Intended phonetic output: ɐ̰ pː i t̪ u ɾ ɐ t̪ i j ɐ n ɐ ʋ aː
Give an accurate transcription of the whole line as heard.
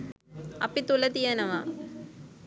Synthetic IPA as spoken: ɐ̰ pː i t̪ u l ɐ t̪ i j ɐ n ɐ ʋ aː